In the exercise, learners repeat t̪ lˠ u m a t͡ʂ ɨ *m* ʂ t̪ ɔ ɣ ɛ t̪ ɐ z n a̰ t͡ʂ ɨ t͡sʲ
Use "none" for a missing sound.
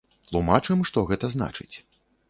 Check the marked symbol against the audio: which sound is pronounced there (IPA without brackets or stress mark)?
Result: m